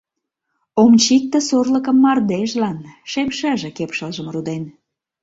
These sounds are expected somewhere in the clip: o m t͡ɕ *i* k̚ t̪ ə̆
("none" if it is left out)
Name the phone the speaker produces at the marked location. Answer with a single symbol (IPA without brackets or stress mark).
i